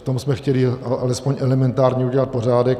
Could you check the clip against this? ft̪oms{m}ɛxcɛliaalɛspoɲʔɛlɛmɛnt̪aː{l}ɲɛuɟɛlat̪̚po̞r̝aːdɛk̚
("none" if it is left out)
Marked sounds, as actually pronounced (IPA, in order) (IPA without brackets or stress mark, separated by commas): m, ɾ